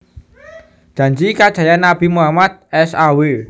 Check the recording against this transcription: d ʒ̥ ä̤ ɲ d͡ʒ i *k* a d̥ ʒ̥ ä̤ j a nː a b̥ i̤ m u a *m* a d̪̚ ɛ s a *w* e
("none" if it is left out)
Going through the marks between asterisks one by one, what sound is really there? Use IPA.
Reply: k, m, w

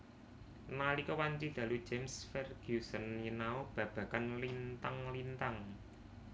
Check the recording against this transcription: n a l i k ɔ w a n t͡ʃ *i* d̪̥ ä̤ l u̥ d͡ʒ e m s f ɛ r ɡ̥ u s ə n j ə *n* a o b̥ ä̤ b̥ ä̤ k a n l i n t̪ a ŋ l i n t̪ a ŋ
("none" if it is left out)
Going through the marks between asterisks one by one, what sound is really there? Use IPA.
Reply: i, n

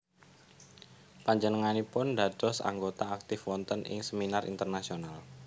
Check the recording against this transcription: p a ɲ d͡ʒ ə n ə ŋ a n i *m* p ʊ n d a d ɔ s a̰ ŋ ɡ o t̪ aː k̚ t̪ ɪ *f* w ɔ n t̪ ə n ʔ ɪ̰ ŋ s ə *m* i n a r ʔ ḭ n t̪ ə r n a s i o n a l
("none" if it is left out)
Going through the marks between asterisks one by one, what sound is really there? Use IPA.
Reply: none, f, m

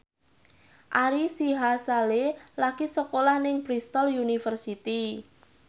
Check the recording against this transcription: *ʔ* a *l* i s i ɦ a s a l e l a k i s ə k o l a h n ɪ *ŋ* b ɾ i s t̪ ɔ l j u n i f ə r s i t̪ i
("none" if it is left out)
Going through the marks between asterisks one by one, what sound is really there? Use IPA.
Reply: ʔ, ɾ, ŋ

